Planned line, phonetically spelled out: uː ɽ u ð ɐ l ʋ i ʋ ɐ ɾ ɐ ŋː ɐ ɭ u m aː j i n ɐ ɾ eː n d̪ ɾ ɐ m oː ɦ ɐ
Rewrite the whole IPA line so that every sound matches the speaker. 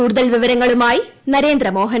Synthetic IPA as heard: uː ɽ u ð ɐ l ʋ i ʋ ɐ ɾ ɐ ŋː ɐ ɭ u m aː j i n ɐ ɾ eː n d̪ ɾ ɐ m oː ɦ ɐ